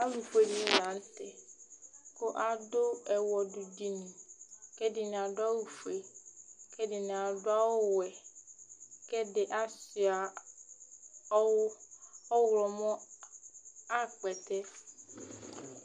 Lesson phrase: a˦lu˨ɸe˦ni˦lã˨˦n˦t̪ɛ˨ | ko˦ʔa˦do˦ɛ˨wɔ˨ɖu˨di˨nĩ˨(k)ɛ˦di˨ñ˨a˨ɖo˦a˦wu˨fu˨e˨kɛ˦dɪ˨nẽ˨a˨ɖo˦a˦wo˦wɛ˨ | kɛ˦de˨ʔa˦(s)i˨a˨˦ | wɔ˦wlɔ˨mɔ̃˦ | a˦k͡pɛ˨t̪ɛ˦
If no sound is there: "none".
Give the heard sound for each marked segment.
k, s

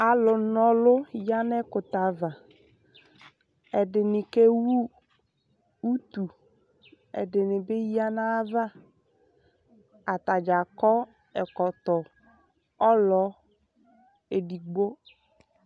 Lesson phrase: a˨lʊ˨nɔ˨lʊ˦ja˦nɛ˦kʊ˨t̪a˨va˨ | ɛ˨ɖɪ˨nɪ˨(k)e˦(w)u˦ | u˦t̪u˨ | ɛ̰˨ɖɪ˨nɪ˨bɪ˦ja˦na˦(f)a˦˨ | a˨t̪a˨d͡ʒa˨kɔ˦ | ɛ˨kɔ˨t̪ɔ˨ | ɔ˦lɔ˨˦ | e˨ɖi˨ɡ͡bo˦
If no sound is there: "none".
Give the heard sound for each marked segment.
k, w, v

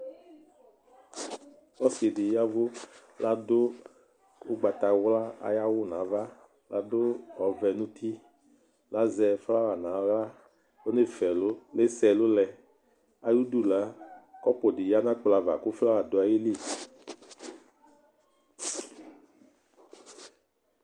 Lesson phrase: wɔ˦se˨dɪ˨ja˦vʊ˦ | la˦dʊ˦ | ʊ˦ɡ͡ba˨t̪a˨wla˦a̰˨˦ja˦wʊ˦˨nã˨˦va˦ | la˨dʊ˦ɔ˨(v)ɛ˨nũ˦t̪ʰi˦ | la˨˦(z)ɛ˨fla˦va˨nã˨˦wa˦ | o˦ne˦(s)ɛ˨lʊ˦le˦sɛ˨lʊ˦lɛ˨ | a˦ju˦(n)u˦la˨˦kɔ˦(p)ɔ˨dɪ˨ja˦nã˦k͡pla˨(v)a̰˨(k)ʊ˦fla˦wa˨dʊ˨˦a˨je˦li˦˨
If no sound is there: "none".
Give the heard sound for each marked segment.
v, z, f, d, p, v, k

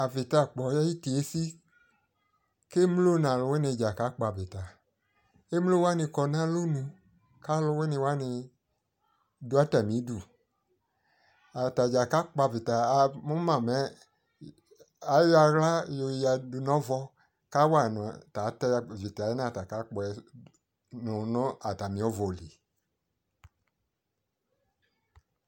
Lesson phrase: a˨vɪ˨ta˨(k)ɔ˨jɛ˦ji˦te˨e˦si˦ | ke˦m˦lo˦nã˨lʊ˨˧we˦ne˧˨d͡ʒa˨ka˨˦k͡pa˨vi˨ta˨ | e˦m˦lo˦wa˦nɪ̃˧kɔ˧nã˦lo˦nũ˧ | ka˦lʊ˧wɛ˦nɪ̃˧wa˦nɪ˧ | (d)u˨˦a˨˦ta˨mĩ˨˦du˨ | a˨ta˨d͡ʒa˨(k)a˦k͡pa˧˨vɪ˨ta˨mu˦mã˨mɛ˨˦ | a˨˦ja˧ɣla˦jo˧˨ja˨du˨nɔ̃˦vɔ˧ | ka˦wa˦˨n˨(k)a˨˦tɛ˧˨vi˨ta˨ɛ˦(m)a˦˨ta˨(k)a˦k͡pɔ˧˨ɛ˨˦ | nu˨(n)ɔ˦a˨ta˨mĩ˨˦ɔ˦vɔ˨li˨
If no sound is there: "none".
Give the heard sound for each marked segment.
k͡p, d, k, t, n, k, n

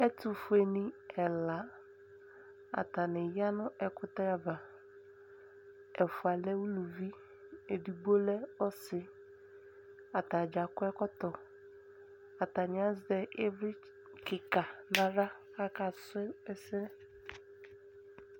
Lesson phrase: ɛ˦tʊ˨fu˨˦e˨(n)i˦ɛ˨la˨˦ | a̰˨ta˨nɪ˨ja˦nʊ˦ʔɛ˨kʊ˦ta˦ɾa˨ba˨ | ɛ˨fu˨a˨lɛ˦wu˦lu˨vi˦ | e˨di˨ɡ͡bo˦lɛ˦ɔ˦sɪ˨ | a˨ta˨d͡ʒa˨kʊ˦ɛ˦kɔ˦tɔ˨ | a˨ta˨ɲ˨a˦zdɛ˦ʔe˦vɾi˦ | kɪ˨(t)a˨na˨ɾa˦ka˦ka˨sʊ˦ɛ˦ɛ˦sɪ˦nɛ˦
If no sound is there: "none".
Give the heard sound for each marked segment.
n, k

